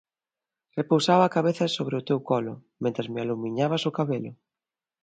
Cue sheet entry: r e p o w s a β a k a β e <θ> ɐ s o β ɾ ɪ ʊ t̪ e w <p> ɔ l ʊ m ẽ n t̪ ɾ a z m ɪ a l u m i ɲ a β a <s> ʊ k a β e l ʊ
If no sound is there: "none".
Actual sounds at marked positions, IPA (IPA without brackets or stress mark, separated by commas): θ, k, s